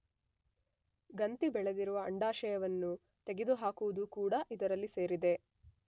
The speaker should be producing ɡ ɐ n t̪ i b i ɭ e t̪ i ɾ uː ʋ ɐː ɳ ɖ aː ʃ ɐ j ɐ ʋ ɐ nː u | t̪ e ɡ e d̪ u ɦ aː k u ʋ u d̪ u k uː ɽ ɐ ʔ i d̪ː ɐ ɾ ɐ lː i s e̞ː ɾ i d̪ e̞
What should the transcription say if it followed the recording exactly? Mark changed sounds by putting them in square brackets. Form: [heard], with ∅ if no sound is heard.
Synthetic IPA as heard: ɡ ɐ n t̪ i b [ɛ] ɭ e [d̪] i ɾ [u] ʋ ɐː ɳ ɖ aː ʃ ɐ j ɐ ʋ ɐ nː u | t̪ e ɡ e d̪ u ɦ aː k u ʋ u d̪ u k uː ɽ ɐ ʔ i [d̪] ɐ ɾ ɐ lː i s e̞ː ɾ i d̪ e̞